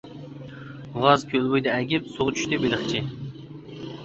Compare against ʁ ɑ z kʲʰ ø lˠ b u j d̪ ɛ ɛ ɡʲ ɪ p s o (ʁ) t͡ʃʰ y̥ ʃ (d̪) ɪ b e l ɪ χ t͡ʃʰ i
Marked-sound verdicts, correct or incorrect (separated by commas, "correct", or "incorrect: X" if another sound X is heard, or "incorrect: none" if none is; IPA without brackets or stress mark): correct, incorrect: t̪